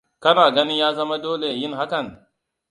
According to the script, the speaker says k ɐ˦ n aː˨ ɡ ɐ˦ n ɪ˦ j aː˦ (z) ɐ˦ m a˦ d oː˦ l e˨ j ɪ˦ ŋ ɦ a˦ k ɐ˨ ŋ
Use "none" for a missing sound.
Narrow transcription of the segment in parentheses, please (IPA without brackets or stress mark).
z